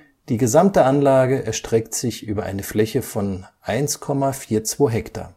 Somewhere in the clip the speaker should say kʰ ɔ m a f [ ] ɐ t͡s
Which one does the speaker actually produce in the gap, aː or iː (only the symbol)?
iː